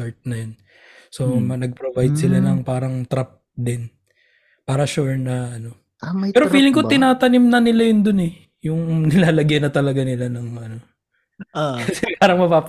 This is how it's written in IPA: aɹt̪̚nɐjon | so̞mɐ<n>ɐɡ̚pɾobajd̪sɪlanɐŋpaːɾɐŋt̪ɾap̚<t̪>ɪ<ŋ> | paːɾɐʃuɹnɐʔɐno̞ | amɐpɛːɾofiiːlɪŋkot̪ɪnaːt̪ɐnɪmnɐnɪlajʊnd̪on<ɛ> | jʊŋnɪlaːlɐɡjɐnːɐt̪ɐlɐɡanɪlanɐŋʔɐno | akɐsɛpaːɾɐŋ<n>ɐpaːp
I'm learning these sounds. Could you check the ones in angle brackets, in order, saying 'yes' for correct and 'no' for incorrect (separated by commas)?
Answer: yes, no, no, yes, no